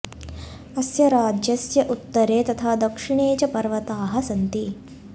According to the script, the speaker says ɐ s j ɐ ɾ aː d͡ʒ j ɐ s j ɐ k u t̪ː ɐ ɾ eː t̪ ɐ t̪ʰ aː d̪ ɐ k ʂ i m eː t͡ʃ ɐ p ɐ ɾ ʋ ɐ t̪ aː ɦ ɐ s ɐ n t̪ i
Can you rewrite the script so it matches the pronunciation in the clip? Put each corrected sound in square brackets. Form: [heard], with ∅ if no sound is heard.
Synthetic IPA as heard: ɐ s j ɐ ɾ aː d͡ʒ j ɐ s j ɐ [ʔ] u t̪ː ɐ ɾ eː t̪ ɐ t̪ʰ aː d̪ ɐ k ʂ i [ɳ] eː t͡ʃ ɐ p ɐ ɾ ʋ ɐ t̪ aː ɦ ɐ s ɐ n t̪ i